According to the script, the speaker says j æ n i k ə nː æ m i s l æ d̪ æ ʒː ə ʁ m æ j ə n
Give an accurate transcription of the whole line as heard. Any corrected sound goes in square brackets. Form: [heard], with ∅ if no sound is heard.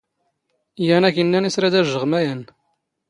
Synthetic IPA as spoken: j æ n [æ] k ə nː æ [n] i s [ɾ] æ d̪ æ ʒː ə ʁ m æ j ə n